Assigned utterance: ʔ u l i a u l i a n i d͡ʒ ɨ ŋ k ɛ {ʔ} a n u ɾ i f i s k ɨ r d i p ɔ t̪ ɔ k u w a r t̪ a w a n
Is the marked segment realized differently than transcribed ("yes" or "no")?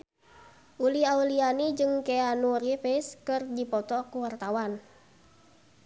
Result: yes